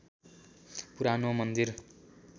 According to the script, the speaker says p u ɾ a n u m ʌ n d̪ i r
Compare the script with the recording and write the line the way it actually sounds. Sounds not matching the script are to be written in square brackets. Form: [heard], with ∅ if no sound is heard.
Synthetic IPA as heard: p u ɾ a n [o] m ʌ n d̪ i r